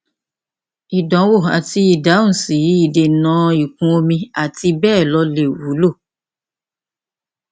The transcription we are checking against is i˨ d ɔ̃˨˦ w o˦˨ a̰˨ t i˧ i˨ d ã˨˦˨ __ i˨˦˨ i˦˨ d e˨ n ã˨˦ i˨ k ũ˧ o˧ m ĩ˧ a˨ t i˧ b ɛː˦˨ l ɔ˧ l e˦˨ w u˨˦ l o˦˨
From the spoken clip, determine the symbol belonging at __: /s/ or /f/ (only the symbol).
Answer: s